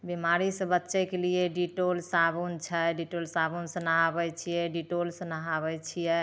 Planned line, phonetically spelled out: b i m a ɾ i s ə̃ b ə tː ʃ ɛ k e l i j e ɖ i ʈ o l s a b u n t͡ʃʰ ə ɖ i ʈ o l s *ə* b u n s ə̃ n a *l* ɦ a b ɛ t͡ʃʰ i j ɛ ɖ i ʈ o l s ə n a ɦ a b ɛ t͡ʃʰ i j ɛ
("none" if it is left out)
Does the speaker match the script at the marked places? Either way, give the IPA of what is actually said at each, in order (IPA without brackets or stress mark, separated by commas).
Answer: a, none